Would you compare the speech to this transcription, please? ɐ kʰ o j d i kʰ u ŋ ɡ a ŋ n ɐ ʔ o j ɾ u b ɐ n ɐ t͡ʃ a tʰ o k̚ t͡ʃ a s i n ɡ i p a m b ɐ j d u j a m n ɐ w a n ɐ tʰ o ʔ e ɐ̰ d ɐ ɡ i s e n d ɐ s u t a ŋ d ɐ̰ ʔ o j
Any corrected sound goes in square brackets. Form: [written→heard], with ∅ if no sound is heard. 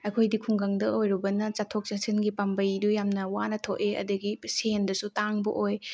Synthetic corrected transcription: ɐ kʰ o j d i kʰ u ŋ ɡ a ŋ [n→d] ɐ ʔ o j ɾ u b ɐ n ɐ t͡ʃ a tʰ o k̚ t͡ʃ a s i n ɡ i p a m b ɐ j d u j a m n ɐ w a n ɐ tʰ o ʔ e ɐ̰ d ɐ ɡ i s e n d ɐ s u t a ŋ [d→b] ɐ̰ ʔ o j